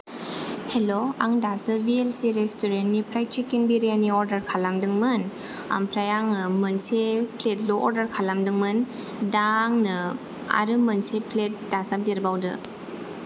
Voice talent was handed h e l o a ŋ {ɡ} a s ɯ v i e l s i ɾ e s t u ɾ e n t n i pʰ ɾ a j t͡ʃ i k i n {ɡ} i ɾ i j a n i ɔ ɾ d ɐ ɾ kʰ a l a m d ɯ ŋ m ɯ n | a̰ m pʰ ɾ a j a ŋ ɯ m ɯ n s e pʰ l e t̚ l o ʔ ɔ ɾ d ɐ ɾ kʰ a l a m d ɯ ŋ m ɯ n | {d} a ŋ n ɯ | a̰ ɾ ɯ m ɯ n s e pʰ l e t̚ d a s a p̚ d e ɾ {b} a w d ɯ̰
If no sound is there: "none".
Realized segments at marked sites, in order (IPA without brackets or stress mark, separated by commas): d, b, d, b